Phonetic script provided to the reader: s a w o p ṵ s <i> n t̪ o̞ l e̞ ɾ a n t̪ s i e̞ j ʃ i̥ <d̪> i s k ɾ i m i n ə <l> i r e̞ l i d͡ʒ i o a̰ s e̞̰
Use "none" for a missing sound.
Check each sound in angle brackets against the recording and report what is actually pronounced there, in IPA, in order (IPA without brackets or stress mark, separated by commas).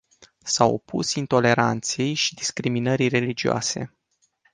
i, d̪, ɾ